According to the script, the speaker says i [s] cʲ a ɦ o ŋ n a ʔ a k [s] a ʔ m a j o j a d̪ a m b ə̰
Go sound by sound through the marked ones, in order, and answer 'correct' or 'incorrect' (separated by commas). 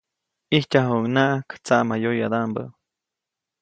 incorrect, incorrect